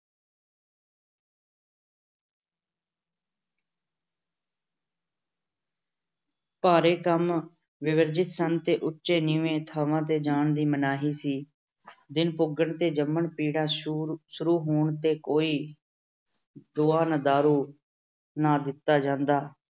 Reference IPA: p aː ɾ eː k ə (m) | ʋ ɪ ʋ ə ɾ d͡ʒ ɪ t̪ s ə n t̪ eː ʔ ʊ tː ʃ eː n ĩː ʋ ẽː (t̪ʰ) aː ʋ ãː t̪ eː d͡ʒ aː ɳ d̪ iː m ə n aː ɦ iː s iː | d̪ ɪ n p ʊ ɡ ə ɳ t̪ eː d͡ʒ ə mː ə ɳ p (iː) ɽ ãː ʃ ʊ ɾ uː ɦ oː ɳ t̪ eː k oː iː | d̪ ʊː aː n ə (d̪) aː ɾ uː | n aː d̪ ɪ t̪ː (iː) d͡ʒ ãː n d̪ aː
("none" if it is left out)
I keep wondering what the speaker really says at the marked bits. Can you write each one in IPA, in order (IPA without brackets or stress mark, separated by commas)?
m, t̪ʰ, iː, d̪, aː